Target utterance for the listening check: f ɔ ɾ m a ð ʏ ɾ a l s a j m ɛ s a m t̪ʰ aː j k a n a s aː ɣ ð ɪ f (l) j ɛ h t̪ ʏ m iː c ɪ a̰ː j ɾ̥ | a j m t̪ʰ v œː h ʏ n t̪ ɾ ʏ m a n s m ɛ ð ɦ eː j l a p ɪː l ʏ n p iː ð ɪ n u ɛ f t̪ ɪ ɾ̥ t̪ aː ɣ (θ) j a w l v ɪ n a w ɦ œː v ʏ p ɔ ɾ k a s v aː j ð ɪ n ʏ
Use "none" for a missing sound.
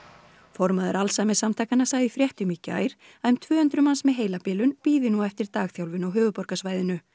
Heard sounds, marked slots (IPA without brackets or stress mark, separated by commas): ɾ, θ